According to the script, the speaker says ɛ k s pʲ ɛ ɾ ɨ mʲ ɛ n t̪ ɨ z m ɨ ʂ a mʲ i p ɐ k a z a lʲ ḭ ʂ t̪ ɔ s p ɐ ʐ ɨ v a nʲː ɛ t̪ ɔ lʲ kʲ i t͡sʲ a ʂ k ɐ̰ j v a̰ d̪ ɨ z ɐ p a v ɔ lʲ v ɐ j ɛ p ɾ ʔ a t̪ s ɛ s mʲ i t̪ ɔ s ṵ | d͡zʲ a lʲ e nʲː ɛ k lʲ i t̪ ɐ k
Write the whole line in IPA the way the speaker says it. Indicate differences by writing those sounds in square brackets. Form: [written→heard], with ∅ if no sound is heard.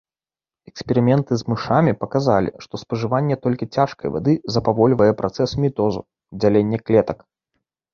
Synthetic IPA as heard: ɛ k s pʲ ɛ ɾ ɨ mʲ ɛ n t̪ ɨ z m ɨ ʂ a mʲ i p ɐ k a z a lʲ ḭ ʂ t̪ ɔ s p ɐ ʐ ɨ v a nʲː ɛ t̪ ɔ lʲ kʲ i t͡sʲ a ʂ k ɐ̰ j v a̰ d̪ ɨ z ɐ p a v ɔ lʲ v ɐ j ɛ p ɾ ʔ a t̪ s ɛ s mʲ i t̪ ɔ [s→z] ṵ | d͡zʲ a lʲ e nʲː ɛ k lʲ [i→ɛ] t̪ ɐ k